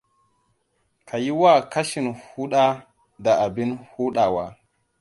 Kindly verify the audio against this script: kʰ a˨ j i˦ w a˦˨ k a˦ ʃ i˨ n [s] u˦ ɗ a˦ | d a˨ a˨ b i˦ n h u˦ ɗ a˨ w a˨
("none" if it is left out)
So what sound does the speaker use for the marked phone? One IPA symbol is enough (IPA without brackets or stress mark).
h